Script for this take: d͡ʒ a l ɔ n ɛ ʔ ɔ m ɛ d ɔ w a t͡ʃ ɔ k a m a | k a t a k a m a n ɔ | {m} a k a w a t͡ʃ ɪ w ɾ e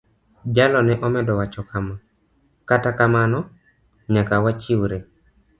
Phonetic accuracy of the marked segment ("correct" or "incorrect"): incorrect